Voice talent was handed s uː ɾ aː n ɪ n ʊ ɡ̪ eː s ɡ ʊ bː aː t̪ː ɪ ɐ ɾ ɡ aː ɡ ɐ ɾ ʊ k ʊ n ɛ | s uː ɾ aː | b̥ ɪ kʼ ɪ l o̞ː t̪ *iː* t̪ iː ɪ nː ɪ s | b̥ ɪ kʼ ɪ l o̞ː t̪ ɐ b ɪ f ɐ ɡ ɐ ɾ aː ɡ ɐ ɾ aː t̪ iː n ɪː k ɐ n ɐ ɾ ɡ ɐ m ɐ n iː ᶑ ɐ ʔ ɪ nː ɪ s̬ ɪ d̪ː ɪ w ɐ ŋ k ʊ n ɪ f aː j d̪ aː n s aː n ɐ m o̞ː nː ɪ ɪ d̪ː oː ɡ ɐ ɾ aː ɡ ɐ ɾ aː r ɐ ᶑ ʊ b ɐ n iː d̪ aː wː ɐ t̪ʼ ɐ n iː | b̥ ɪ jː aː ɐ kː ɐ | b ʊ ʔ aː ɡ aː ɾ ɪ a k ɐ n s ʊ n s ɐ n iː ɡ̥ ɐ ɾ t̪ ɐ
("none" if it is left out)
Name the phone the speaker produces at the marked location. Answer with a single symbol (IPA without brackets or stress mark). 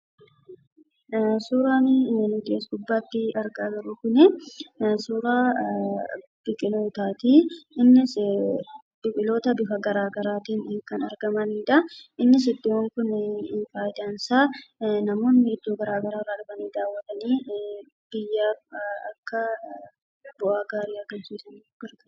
aː